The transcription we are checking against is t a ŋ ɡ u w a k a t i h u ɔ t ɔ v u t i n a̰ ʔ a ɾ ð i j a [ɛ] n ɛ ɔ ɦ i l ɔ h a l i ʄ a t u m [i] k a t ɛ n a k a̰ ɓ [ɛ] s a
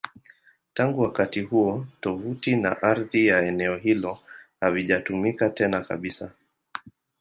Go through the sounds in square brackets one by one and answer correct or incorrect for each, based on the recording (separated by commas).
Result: correct, correct, incorrect